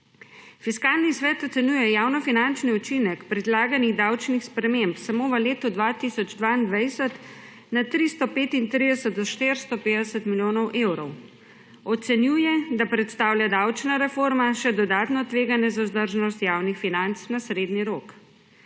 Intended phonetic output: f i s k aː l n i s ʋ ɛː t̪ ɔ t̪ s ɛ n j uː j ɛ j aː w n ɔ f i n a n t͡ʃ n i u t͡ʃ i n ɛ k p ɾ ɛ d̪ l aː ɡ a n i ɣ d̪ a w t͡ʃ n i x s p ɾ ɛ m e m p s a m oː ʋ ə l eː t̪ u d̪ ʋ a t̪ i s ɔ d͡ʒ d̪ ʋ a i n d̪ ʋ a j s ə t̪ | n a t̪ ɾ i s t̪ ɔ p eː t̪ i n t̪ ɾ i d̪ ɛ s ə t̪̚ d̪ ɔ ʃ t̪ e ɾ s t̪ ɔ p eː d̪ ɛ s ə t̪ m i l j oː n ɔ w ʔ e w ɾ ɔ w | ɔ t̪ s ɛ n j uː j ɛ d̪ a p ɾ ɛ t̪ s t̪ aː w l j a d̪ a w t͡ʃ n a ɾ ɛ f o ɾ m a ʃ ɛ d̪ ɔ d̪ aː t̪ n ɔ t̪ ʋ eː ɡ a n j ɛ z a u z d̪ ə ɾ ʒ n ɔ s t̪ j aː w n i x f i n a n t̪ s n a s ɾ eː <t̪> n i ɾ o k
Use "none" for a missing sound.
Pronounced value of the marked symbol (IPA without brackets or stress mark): d̪